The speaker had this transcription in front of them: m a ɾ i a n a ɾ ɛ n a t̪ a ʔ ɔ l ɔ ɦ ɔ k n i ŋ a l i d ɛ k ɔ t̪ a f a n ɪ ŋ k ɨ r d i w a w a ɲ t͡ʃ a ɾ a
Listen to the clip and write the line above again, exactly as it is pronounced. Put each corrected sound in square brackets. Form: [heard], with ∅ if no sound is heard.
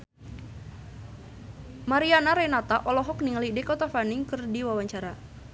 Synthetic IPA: m a ɾ i a n a ɾ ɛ n a t̪ a ʔ ɔ l ɔ ɦ ɔ k n i ŋ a l i d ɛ k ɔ t̪ a f a n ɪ ŋ k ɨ r d i w a w a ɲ t͡ʃ a ɾ a

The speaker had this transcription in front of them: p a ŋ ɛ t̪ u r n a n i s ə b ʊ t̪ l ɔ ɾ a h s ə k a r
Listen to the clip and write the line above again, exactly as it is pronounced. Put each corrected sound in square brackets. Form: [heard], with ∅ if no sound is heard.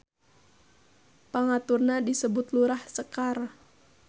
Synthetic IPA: p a ŋ [a] t̪ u r n a [d] i s ə b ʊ t̪ l [u] ɾ a h s ə k a r

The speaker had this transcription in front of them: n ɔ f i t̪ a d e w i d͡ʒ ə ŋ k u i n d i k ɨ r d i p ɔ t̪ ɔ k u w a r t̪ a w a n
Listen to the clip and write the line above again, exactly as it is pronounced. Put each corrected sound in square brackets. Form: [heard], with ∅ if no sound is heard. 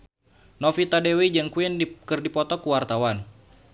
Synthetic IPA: n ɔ f i t̪ a d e w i d͡ʒ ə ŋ k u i n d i k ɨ r d i p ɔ t̪ ɔ k u w a r t̪ a w a n

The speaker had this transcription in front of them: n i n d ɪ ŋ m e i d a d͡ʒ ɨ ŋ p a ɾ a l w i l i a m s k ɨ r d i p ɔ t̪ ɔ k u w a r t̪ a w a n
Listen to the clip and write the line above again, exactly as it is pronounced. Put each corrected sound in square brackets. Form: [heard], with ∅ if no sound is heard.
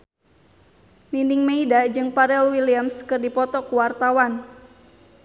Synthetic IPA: n i n d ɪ ŋ m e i d a d͡ʒ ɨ ŋ p a ɾ [ɛ] l w i l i a m s k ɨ r d i p ɔ t̪ ɔ k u w a r t̪ a w a n

